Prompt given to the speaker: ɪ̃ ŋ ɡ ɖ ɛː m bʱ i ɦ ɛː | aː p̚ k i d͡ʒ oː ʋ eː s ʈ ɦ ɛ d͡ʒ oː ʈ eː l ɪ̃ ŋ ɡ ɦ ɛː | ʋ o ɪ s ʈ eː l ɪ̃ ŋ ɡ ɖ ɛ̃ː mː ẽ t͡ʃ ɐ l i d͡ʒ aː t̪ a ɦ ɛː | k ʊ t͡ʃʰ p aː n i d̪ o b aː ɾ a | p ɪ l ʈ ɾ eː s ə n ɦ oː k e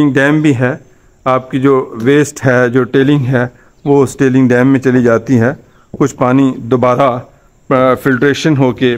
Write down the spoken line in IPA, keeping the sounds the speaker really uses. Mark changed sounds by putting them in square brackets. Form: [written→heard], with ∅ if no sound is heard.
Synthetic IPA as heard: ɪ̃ ŋ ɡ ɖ ɛː m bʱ i ɦ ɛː | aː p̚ k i d͡ʒ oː ʋ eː s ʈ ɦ ɛ d͡ʒ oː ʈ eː l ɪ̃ ŋ ɡ ɦ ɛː | ʋ o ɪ s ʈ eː l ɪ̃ ŋ ɡ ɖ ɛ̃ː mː ẽ t͡ʃ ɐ l i d͡ʒ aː t̪ [a→i] ɦ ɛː | k ʊ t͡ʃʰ p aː n i d̪ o b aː ɾ a | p ɪ l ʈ ɾ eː [s→ʃ] ə n ɦ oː k e